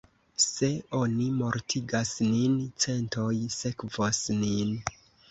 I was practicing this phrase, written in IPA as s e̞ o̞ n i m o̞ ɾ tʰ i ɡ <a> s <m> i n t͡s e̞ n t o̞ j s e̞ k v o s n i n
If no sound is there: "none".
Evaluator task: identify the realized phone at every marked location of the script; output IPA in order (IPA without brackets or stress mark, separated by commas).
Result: a, n